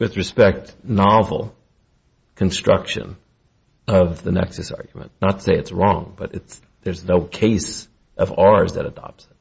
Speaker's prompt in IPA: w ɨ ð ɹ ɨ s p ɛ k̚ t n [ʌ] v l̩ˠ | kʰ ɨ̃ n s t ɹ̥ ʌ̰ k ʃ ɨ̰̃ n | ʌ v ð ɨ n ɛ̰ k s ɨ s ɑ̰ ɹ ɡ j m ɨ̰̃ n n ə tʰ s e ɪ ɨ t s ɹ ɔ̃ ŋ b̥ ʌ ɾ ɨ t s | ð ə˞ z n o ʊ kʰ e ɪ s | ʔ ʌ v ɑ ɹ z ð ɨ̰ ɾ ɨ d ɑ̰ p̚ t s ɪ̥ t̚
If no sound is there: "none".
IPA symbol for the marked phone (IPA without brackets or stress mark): ɑ